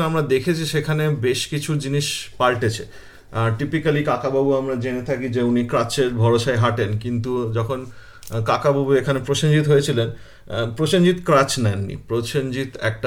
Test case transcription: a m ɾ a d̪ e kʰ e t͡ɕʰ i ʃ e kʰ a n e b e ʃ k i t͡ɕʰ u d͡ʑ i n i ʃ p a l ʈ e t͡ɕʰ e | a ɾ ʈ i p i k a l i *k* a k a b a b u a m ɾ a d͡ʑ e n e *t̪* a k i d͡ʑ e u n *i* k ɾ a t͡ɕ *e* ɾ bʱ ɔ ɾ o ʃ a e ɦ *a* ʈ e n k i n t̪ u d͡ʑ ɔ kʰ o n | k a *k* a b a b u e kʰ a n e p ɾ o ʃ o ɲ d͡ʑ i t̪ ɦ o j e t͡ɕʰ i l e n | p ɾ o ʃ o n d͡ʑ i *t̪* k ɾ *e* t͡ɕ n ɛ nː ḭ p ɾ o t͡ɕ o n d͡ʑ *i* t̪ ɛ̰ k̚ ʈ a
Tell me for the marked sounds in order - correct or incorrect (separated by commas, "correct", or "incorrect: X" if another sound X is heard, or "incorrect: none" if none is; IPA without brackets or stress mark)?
correct, incorrect: t̪ʰ, correct, correct, correct, correct, correct, incorrect: a, correct